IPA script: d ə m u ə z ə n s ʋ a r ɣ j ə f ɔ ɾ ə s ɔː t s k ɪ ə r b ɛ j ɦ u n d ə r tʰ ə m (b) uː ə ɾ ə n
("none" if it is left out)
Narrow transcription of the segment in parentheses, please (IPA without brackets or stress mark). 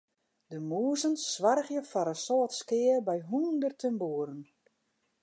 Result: b